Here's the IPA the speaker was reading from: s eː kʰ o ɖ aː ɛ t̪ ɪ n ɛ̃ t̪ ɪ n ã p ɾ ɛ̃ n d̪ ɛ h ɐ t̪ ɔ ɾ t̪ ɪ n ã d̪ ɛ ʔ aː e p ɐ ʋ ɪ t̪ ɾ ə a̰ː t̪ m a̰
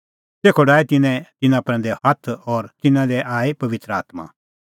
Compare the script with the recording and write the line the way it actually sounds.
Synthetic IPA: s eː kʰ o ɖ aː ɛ t̪ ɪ n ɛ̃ t̪ ɪ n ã p ɾ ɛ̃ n d̪ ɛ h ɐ t̪ʰ ɔ ɾ t̪ ɪ n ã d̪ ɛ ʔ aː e p ɐ ʋ ɪ t̪ ɾ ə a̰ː t̪ m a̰

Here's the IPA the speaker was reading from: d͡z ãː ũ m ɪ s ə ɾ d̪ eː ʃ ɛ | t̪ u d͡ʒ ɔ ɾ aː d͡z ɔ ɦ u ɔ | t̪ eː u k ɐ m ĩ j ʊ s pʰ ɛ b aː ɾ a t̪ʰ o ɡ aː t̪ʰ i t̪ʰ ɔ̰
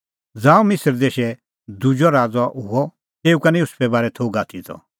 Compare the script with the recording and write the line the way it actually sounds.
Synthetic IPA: d͡z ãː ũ m ɪ s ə ɾ d̪ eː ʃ ɛ | d̪ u d͡ʒ ɔ ɾ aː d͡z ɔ ɦ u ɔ | t̪ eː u k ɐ n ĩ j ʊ s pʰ ɛ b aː ɾ ɛ t̪ʰ o ɡ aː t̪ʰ i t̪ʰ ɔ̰

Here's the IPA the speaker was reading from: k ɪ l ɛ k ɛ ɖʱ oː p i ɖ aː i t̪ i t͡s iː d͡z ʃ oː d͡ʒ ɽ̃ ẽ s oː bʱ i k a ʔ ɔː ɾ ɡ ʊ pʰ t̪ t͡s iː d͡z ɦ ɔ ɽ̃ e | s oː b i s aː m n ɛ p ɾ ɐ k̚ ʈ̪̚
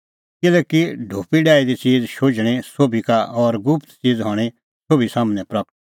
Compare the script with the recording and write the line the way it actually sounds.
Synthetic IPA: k ɪ l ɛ k i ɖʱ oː p i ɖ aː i d̪ i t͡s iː d͡z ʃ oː d͡ʒ ɽ̃ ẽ s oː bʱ i k a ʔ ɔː ɾ ɡ ʊ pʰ t̪ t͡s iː d͡z ɦ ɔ ɽ̃ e | s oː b i s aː m n ɛ p ɾ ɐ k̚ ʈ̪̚

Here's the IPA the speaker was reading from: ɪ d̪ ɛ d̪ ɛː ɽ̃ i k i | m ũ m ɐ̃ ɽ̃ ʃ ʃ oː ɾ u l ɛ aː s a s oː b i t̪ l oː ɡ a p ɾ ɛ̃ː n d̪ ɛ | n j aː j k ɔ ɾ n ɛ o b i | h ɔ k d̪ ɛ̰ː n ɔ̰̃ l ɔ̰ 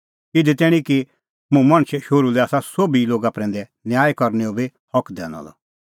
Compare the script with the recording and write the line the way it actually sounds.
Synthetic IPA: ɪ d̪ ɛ t̪ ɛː ɽ̃ i k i | m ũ m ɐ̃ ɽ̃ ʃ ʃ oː ɾ u l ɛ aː s a s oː b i l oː ɡ a p ɾ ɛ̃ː n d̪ ɛ | n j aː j k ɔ ɾ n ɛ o b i | h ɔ k d̪ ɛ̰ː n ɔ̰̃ l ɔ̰

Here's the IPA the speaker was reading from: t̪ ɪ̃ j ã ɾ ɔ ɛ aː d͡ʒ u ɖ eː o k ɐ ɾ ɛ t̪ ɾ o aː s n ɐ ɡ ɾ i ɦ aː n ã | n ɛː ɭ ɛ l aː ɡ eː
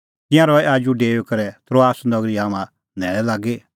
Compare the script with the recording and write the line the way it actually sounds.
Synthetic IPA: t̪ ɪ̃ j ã ɾ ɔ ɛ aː d͡ʒ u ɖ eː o k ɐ ɾ ɛ t̪ ɾ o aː s n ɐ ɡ ɾ i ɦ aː m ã | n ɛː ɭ ɛ l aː ɡ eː

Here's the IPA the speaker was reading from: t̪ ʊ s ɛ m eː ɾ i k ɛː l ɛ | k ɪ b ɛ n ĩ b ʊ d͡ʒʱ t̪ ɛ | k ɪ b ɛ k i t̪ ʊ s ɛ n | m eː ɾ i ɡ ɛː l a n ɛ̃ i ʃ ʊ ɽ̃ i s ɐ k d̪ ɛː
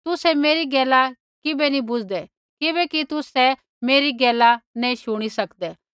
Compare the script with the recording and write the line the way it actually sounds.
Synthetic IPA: t̪ ʊ s ɛ m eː ɾ i ɡ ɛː l a | k ɪ b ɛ n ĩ b ʊ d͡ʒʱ d̪ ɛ | k ɪ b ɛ k i t̪ ʊ s ɛ | m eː ɾ i ɡ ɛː l a n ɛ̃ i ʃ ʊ ɽ̃ i s ɐ k d̪ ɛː

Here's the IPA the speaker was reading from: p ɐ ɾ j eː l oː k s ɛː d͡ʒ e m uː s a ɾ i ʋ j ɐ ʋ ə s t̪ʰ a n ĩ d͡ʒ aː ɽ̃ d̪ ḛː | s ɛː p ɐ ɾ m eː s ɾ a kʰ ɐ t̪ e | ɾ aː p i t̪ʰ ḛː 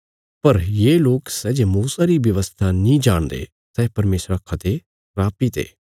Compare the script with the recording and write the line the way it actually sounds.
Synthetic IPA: p ɐ ɾ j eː l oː k s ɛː d͡ʒ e m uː s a ɾ i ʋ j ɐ ʋ ə s t̪ʰ a n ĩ d͡ʒ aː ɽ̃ d̪ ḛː | s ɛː p ɐ ɾ m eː s ɾ a kʰ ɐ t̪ e | ɾ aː p i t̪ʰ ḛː

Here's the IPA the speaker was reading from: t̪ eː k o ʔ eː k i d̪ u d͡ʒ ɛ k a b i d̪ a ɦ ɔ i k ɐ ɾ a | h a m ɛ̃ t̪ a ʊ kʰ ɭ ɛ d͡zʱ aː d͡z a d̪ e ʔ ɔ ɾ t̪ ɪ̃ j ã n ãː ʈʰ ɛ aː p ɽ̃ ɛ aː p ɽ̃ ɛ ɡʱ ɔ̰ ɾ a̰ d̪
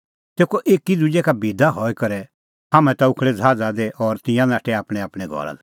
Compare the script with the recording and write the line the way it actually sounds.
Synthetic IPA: t̪ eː k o ʔ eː k i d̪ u d͡ʒ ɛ k a b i d̪ a ɦ ɔ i k ɐ ɾ ɛ | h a m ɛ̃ t̪ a ʊ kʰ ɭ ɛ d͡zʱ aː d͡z a d̪ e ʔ ɔ ɾ t̪ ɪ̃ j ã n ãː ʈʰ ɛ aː p ɽ̃ ɛ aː p ɽ̃ ɛ ɡʱ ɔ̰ ɾ a̰ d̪

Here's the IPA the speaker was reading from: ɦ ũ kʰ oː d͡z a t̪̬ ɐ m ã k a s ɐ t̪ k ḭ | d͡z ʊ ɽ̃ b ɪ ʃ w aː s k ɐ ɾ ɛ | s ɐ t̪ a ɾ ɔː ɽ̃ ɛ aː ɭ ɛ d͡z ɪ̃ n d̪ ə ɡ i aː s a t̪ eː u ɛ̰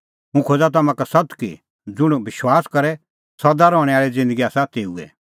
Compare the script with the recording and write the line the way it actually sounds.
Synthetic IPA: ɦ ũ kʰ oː d͡z a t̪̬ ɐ m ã k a s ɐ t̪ k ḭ | d͡z ʊ ɽ̃ b ɪ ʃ w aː s k ɐ ɾ ɛ | s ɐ d̪ a ɾ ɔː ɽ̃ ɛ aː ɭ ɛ d͡z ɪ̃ n d̪ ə ɡ i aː s a t̪ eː u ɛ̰

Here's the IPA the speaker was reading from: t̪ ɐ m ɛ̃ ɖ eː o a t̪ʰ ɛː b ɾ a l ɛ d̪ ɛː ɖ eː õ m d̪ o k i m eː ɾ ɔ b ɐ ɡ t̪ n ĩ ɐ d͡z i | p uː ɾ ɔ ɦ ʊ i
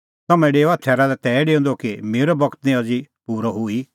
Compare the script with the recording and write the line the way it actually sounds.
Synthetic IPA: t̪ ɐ m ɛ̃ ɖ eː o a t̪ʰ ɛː ɾ a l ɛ t̪ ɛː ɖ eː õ n d̪ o k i m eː ɾ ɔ b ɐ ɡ t̪ n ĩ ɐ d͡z i | p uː ɾ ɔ ɦ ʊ i

